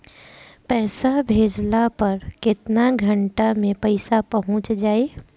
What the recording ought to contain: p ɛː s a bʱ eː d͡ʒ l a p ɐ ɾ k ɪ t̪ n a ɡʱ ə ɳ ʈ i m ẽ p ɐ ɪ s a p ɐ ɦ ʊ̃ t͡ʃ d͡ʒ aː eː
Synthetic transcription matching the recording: p ɛː s a bʱ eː d͡ʒ l a p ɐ ɾ k ɪ t̪ n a ɡʱ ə ɳ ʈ a m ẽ p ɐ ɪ s a p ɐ ɦ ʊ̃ t͡ʃ d͡ʒ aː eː